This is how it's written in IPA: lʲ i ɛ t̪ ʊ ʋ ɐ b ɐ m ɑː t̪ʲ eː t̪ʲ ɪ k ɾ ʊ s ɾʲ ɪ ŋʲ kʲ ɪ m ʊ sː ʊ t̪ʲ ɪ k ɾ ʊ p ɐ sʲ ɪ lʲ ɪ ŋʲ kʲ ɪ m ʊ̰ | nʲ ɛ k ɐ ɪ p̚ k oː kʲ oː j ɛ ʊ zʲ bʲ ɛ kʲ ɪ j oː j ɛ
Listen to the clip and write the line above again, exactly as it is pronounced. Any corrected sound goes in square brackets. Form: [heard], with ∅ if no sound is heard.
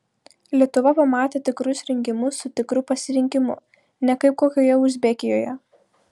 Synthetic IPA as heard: lʲ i ɛ t̪ ʊ ʋ ɐ [p] ɐ m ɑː t̪ʲ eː t̪ʲ ɪ k ɾ ʊ s ɾʲ ɪ ŋʲ kʲ ɪ m ʊ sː ʊ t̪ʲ ɪ k ɾ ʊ p ɐ sʲ ɪ [ɾʲ] ɪ ŋʲ kʲ ɪ m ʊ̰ | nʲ ɛ k ɐ ɪ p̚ k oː kʲ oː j ɛ ʊ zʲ bʲ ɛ kʲ ɪ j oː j ɛ